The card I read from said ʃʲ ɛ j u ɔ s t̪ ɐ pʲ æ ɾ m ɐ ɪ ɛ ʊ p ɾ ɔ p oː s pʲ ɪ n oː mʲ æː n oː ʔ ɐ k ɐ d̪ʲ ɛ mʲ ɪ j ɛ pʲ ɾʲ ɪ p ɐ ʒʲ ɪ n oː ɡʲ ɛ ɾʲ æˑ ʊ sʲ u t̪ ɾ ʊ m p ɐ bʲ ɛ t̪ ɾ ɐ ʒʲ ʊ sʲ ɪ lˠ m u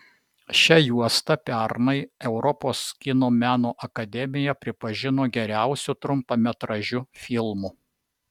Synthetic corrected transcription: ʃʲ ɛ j u ɔ s t̪ ɐ pʲ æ ɾ n ɐ ɪ ɛ ʊ ɾ ɔ p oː s kʲ ɪ n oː mʲ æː n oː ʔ ɐ k ɐ d̪ʲ ɛ mʲ ɪ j ɛ pʲ ɾʲ ɪ p ɐ ʒʲ ɪ n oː ɡʲ ɛ ɾʲ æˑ ʊ sʲ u t̪ ɾ ʊ m p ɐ mʲ ɛ t̪ ɾ ɐ ʒʲ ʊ fʲ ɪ lˠ m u